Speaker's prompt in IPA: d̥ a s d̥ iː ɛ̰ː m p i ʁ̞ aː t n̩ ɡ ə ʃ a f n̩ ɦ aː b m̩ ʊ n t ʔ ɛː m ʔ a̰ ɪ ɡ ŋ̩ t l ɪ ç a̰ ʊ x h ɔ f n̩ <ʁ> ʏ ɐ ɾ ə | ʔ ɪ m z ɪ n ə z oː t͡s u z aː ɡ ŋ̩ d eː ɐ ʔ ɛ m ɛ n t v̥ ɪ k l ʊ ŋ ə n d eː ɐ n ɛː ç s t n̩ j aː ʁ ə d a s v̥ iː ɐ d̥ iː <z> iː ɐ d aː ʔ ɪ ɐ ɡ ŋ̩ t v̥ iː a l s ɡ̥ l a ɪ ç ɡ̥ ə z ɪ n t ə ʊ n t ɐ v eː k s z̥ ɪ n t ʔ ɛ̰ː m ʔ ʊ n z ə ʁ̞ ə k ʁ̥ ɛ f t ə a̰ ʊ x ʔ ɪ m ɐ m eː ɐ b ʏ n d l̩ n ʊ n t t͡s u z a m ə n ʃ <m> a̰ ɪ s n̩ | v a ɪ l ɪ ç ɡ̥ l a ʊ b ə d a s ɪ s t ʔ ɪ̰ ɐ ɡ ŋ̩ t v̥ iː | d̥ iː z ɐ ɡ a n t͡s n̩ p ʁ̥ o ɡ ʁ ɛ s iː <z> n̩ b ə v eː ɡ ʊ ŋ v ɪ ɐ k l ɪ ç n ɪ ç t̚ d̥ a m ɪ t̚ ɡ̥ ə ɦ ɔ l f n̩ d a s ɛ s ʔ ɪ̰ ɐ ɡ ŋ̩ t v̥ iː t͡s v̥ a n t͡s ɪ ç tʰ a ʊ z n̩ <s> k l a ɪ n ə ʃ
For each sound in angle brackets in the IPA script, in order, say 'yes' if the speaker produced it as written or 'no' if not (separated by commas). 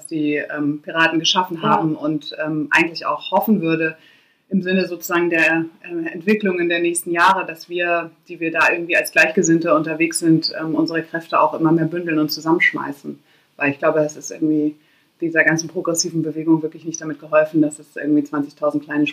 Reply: no, no, yes, no, no